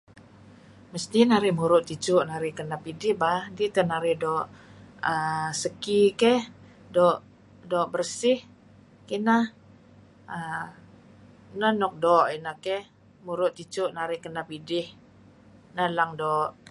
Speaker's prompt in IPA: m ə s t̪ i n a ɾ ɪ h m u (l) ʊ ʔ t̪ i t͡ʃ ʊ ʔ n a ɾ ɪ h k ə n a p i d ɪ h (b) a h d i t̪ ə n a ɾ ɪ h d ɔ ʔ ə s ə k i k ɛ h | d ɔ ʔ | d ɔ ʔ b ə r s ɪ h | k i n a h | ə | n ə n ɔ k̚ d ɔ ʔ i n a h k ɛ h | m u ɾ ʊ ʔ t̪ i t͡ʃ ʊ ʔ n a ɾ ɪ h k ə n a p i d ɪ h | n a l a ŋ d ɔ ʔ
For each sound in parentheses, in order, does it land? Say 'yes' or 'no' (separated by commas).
no, yes